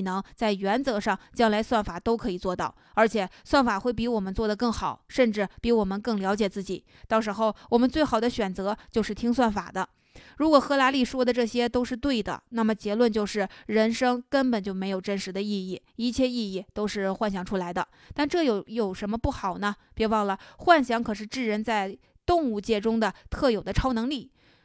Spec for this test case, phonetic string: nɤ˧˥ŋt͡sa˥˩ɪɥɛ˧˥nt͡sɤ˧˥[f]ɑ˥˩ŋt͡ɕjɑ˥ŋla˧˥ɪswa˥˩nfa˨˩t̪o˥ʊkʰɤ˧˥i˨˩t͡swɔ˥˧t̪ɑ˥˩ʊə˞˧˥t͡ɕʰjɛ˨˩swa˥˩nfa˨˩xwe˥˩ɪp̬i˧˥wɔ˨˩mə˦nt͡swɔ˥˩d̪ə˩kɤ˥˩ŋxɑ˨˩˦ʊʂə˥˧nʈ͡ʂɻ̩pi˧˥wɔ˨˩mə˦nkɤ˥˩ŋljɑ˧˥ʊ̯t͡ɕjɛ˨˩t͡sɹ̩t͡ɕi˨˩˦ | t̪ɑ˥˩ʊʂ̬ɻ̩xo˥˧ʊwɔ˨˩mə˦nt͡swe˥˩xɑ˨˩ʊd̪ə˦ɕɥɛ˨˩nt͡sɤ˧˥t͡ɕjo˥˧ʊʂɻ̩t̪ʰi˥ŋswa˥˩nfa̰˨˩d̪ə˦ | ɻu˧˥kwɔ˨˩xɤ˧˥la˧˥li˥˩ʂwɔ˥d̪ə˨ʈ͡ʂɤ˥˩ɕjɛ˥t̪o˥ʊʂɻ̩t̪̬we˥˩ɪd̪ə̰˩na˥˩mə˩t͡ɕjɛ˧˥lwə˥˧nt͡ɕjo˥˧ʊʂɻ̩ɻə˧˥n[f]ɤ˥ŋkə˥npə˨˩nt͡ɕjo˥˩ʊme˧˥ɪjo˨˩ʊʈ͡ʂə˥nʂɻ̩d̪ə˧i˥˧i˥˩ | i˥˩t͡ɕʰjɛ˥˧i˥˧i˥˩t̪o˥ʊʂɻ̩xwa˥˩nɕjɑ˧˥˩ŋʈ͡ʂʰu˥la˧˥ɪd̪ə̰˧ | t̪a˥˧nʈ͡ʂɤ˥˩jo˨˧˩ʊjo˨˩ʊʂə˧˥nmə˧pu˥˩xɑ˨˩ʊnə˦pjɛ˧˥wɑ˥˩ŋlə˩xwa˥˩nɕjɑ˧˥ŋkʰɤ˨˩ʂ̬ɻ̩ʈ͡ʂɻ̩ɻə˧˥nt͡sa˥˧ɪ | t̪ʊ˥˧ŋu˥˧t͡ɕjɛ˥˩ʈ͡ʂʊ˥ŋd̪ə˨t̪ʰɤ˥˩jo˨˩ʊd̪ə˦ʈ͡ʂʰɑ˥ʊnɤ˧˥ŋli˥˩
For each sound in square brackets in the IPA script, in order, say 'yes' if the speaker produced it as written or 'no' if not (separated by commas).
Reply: no, no